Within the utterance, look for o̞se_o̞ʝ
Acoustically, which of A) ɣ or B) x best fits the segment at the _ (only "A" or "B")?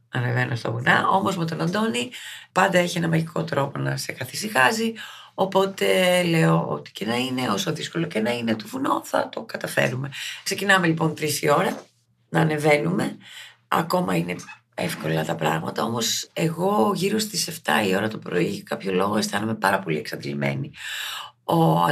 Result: A